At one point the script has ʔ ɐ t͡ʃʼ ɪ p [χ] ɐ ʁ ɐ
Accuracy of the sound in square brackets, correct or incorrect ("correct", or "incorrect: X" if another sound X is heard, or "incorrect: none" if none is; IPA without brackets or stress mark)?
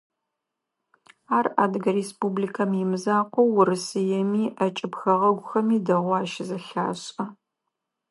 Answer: incorrect: x